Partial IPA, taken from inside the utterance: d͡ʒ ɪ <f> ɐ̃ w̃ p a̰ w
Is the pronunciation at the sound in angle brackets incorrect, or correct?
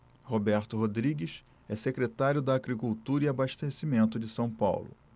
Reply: incorrect: s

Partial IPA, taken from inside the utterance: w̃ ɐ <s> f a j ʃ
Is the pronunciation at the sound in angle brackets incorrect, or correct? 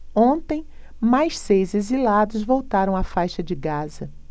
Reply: incorrect: none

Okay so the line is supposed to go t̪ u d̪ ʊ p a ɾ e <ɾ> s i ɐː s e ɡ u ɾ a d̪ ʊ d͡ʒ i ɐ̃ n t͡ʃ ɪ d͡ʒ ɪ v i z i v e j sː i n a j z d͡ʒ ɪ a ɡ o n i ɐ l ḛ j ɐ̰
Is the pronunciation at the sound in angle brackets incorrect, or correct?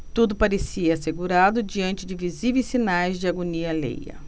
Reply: incorrect: none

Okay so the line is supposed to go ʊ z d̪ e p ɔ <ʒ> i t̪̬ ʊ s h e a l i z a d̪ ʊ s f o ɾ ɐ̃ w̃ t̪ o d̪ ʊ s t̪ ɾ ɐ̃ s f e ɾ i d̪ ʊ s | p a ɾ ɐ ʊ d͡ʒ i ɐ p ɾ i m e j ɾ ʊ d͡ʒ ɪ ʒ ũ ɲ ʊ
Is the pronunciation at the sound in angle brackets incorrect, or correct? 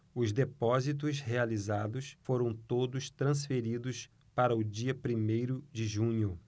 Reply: incorrect: z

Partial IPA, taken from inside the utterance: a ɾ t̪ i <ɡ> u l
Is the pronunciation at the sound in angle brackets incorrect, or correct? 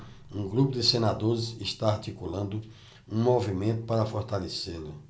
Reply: incorrect: k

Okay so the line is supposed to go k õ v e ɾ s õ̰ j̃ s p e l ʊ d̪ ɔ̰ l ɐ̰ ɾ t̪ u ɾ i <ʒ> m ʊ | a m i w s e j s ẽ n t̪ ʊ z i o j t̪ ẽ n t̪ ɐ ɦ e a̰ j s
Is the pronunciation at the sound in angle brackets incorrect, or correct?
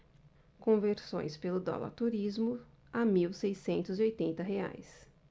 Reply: incorrect: z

